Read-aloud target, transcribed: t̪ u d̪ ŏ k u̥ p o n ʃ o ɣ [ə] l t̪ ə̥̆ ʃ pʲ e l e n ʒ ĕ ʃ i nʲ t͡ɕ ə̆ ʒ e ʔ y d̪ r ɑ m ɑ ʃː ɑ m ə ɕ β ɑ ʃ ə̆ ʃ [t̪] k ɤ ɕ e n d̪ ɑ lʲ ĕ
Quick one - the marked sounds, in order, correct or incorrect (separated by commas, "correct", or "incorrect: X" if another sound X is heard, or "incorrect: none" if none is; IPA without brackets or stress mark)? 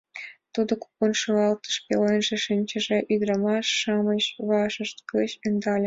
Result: incorrect: ɑ, correct